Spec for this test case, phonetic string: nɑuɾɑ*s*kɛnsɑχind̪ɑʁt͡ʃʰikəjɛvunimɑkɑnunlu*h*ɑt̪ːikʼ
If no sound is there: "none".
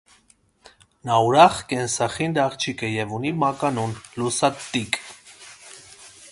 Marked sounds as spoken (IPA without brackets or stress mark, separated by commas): χ, s